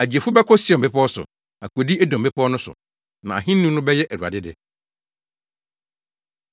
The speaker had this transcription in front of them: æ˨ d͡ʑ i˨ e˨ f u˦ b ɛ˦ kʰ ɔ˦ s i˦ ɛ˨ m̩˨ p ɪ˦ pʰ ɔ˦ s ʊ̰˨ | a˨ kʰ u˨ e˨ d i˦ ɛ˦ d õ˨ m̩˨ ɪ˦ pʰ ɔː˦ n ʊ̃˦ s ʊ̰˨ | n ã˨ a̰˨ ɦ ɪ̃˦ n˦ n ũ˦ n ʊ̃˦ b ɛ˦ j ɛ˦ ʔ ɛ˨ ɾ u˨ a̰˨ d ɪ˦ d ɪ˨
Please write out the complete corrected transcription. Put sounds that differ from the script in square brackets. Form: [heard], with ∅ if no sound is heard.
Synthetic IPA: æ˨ d͡ʑ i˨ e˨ f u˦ b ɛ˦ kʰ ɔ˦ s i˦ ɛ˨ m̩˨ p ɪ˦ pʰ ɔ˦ s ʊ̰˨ | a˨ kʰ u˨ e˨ d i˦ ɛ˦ d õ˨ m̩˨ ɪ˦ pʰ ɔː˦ n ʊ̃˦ s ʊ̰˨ | n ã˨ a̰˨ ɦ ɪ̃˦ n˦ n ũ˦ n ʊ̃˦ b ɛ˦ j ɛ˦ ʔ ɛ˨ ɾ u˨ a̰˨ d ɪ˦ d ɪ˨